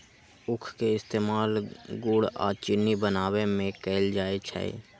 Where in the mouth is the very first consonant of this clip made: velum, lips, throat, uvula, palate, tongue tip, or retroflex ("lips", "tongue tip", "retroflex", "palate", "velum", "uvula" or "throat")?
velum